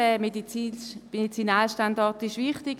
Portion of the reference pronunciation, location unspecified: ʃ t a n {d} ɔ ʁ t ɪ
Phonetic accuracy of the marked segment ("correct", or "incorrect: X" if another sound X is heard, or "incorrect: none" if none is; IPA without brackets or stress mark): correct